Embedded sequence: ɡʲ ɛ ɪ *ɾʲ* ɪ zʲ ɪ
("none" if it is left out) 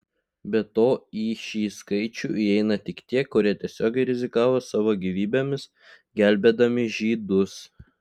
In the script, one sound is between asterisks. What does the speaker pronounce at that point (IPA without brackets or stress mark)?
ɾʲ